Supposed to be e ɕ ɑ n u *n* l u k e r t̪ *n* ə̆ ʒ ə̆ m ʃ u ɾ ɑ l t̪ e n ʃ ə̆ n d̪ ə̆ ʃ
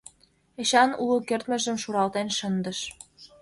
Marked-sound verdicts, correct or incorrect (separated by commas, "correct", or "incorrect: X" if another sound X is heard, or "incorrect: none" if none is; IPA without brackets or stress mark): incorrect: none, incorrect: m